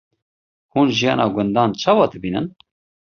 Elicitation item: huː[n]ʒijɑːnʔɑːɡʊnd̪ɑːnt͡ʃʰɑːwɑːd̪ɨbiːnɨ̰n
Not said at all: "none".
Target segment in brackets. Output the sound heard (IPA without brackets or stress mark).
n